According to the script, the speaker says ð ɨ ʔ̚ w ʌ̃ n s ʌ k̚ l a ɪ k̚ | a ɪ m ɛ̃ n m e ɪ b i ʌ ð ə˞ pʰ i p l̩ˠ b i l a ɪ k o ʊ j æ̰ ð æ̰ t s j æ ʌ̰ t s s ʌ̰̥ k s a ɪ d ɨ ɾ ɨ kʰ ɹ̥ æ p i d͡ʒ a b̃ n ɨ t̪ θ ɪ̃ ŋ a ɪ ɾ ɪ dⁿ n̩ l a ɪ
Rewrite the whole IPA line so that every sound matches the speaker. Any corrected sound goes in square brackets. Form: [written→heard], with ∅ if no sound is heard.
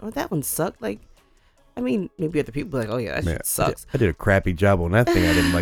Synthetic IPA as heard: ð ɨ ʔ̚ w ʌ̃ n s ʌ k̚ l a ɪ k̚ | a ɪ m [ɛ̃→ĩ] n m e ɪ b i ʌ ð ə˞ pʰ i p l̩ˠ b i l a ɪ k o ʊ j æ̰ ð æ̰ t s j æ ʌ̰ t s s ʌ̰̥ k s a ɪ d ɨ ɾ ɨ kʰ ɹ̥ æ p i d͡ʒ [a→ɑ] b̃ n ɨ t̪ θ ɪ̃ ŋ a ɪ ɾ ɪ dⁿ n̩ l a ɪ